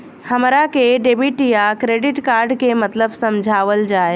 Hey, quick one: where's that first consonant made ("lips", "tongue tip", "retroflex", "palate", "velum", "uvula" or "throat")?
throat